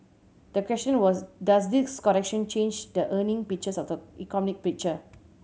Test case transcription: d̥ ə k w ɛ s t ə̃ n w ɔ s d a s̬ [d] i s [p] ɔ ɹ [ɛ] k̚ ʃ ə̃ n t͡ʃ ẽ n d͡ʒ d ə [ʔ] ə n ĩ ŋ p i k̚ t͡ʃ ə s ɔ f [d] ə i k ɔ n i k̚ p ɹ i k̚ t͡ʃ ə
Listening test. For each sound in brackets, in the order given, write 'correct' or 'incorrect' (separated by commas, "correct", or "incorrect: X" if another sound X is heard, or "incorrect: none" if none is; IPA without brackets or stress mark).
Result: correct, incorrect: k, correct, correct, correct